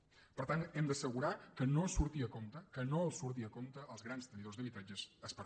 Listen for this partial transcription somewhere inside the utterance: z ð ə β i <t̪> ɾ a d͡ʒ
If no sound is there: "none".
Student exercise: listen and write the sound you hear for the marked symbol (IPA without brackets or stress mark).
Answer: t̪